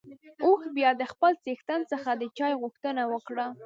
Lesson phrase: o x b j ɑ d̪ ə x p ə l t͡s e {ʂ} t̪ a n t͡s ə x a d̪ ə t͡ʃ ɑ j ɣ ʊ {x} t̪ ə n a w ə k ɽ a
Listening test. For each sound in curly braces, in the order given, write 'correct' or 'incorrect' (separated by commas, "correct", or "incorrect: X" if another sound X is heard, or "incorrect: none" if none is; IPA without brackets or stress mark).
incorrect: x, correct